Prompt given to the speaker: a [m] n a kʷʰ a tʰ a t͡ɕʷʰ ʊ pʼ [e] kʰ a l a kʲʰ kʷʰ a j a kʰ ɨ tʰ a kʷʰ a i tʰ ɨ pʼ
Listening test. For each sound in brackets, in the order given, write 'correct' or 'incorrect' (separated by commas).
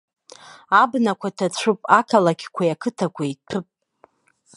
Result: incorrect, incorrect